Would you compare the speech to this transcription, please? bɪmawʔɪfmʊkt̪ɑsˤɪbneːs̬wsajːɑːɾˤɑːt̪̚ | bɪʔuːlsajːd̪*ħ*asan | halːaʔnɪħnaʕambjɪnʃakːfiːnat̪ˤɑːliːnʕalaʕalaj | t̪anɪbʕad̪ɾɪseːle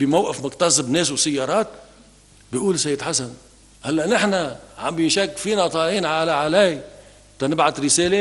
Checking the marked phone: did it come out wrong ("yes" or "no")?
no